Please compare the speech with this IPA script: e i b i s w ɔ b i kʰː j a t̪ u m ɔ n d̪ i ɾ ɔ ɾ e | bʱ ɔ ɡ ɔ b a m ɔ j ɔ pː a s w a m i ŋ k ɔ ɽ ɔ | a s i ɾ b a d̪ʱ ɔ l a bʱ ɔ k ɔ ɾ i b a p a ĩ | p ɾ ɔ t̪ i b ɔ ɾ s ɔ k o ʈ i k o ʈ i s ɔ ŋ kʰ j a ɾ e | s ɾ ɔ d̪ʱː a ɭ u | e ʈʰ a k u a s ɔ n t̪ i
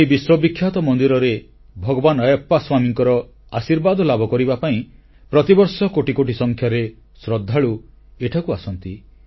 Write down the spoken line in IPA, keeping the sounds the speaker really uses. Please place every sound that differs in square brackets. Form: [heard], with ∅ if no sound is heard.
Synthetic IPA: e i b i s w ɔ b i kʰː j a t̪ [ɔ] m ɔ n d̪ i ɾ ɔ ɾ e | bʱ ɔ ɡ ɔ b a [n] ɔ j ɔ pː a s w a m i ŋ k ɔ [ɾ] ɔ | a s i ɾ b a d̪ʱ ɔ l a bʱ ɔ k ɔ ɾ i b a p a ĩ | p ɾ ɔ t̪ i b ɔ ɾ s ɔ k o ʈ i k o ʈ i s ɔ ŋ kʰ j a ɾ e | s ɾ ɔ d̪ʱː a ɭ u | e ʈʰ a k u a s ɔ n t̪ i